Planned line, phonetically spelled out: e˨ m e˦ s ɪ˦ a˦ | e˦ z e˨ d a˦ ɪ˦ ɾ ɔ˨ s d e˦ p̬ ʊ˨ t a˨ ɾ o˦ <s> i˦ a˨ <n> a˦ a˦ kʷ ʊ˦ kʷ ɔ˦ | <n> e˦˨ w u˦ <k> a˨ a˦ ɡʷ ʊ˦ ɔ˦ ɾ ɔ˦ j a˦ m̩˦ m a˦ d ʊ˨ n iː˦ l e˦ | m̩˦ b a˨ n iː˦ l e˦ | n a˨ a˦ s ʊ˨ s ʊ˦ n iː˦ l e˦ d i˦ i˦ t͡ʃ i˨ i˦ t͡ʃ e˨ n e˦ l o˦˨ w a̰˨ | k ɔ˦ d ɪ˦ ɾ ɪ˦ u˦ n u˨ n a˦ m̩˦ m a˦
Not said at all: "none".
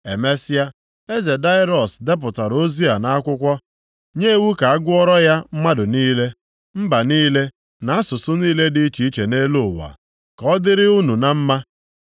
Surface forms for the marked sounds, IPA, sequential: z, n, ɲ, k

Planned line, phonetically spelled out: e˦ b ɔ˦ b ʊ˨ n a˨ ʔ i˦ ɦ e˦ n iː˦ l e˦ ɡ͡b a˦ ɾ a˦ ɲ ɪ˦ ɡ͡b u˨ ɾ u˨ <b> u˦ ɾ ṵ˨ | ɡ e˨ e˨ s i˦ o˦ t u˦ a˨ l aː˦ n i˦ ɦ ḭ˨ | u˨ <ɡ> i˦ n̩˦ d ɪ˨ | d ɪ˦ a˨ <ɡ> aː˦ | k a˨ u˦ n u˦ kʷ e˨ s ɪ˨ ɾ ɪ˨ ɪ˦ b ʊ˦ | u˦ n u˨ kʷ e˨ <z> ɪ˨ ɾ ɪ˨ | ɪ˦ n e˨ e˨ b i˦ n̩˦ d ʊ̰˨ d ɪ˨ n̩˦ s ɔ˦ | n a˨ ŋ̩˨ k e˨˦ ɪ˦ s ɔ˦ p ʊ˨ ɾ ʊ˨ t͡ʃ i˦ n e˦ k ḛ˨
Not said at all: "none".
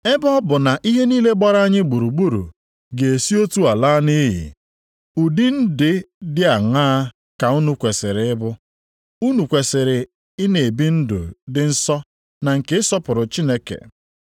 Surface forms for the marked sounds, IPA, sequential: ɡ͡b, d, ŋ, s

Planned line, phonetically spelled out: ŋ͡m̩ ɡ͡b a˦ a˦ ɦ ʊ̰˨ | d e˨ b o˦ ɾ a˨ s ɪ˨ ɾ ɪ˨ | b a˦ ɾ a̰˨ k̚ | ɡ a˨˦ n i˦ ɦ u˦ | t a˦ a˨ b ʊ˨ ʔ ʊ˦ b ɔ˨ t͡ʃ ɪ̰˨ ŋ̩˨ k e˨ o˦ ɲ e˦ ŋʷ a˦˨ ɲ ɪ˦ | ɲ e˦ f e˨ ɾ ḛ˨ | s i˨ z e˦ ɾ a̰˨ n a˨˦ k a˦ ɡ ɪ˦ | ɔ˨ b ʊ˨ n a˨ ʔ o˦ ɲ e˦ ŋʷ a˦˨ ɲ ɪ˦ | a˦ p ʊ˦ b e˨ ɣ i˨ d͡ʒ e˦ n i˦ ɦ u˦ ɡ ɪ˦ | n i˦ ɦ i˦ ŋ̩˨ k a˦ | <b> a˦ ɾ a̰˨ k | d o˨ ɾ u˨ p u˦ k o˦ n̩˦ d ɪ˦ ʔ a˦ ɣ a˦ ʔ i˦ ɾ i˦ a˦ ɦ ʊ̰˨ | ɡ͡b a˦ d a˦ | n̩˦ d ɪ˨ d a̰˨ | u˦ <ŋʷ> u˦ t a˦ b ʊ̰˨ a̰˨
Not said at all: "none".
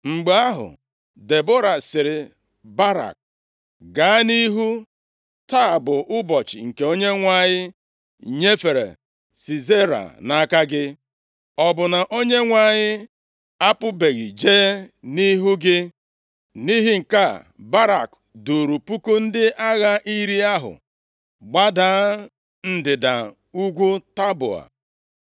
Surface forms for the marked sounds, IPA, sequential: b, ɡʷ

